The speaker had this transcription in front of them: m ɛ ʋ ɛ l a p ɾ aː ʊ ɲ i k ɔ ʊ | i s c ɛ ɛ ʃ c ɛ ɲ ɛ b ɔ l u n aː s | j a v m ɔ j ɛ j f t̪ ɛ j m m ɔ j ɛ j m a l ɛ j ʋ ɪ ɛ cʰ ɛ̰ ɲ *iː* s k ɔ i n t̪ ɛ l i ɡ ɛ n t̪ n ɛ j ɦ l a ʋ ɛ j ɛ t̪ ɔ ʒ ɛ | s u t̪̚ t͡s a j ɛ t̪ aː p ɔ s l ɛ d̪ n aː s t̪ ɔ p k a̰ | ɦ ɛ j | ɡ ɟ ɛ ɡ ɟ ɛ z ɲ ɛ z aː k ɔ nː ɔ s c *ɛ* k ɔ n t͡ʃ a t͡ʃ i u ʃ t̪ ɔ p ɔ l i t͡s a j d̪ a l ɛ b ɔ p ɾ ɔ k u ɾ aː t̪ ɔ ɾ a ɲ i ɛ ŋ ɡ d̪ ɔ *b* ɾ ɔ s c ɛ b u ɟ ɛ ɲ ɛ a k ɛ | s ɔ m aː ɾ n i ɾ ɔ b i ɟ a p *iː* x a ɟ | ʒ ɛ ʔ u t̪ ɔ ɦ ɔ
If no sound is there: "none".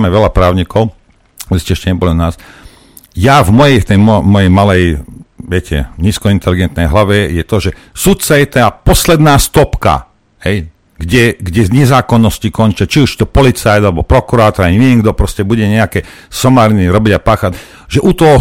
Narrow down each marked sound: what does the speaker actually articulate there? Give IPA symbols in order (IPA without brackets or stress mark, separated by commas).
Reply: iː, i, p, aː